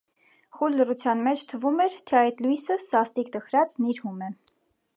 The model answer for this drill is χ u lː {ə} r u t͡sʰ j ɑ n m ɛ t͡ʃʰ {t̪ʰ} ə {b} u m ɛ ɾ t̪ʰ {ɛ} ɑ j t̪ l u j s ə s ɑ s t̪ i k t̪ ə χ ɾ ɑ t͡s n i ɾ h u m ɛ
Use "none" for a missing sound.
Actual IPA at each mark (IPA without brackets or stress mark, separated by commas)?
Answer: ə, t̪ʰ, v, ɛ